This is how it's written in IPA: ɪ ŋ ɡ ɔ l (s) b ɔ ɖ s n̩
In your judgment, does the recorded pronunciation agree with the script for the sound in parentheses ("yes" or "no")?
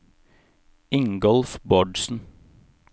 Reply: no